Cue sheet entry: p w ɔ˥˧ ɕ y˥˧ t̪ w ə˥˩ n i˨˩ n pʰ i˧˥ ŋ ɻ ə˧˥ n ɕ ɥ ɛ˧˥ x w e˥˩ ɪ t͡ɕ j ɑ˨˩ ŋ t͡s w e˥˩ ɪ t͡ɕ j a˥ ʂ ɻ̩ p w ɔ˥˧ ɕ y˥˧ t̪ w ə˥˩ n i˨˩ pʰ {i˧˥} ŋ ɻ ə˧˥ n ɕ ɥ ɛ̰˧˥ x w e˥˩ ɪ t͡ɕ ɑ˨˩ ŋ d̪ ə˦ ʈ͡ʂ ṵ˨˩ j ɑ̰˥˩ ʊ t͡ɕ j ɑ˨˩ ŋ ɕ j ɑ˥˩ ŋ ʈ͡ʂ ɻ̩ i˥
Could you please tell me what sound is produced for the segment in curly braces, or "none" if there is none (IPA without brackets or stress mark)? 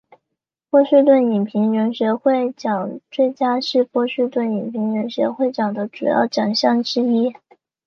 i˧˥